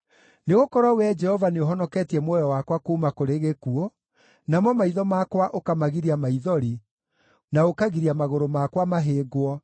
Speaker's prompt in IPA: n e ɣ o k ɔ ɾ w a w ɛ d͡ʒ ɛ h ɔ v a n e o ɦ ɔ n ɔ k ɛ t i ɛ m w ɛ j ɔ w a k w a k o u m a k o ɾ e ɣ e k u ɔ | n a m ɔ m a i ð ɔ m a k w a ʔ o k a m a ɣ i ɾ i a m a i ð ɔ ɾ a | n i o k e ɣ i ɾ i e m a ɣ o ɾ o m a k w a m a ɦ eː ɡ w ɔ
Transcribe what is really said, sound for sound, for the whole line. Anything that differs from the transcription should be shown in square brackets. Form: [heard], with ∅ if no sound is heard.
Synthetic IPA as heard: n e ɣ o k ɔ ɾ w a w ɛ d͡ʒ ɛ h ɔ v a n e o ɦ ɔ n ɔ k ɛ t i ɛ m w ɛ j ɔ w a k w a k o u m a k o ɾ e ɣ e k u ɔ | n a m ɔ m a i ð ɔ m a k w a ʔ o k a m a ɣ i ɾ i a m a i ð ɔ ɾ [i] | n [a] o k [a] ɣ i ɾ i [a] m a ɣ o ɾ o m a k w a m a ɦ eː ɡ w ɔ